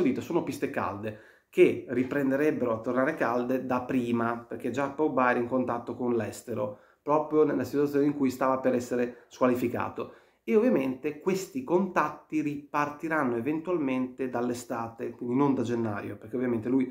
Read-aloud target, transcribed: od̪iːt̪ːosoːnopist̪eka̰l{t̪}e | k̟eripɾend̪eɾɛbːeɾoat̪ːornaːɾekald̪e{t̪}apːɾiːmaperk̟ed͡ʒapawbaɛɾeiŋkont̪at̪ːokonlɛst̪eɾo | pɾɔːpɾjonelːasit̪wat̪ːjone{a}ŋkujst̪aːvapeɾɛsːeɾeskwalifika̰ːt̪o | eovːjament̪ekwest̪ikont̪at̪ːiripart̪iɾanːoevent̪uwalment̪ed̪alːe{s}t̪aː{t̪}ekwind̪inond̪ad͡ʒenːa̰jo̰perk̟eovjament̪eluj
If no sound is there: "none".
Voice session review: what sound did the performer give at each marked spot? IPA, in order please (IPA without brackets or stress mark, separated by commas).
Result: d̪, d̪, i, s, t̪